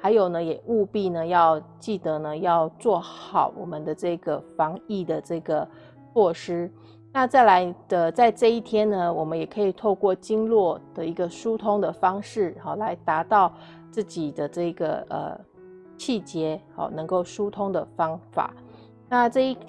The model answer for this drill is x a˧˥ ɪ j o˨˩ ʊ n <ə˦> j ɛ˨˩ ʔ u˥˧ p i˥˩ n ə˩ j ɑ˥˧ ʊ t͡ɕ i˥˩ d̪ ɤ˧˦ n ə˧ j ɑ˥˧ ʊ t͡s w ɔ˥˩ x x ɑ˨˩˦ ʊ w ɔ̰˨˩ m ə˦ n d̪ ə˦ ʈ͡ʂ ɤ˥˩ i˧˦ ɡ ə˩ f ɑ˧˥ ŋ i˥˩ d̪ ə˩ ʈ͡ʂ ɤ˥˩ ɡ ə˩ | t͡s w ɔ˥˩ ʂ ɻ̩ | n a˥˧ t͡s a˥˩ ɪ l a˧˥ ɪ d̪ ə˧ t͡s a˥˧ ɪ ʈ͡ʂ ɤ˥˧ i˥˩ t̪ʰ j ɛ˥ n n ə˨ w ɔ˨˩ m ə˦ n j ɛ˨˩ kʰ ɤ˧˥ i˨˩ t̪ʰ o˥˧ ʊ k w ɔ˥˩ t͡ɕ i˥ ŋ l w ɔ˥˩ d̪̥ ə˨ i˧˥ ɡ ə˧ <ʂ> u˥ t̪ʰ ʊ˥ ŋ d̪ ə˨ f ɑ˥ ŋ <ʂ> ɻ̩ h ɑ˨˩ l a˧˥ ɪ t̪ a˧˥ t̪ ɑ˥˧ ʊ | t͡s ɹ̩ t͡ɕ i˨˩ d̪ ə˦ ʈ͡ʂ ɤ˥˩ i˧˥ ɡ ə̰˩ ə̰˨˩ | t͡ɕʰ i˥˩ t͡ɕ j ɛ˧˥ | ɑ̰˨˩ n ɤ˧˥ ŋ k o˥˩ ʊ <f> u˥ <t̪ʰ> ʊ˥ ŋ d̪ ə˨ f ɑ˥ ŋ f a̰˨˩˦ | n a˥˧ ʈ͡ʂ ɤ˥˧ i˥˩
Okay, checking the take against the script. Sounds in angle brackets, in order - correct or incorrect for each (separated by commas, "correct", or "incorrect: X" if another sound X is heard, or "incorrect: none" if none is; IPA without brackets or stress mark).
correct, correct, correct, incorrect: ʂ, correct